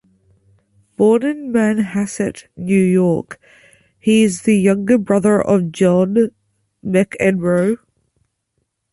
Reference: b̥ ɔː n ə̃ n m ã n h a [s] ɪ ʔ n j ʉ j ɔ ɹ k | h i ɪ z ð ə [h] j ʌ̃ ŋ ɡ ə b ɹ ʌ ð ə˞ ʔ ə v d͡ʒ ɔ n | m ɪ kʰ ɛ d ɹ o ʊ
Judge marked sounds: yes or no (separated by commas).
yes, no